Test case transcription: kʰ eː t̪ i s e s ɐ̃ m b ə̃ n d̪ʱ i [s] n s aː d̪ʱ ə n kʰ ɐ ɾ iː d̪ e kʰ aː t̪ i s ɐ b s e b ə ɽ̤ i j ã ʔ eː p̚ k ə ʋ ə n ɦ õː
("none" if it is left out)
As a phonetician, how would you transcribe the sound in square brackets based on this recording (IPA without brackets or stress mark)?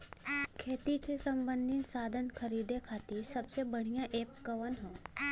none